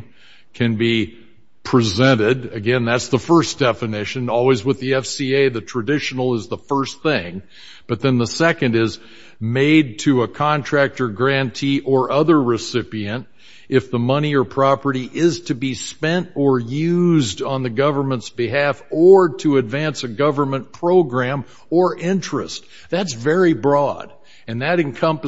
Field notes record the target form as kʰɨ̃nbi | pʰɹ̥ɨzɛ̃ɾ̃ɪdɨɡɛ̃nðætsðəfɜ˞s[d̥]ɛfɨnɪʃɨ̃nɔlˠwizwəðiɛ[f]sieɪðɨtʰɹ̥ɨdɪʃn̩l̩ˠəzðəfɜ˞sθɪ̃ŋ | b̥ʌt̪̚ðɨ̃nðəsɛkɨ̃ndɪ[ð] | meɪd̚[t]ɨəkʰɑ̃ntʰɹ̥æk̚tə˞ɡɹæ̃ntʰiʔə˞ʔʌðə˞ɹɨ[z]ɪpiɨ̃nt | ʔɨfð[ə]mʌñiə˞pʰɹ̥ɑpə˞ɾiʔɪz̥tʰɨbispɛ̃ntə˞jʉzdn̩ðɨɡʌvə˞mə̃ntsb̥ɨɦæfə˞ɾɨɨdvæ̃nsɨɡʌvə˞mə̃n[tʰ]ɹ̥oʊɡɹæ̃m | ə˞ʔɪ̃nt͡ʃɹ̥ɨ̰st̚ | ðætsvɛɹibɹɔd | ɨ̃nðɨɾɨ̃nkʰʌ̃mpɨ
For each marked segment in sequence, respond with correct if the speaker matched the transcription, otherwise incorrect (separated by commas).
correct, correct, incorrect, incorrect, incorrect, correct, incorrect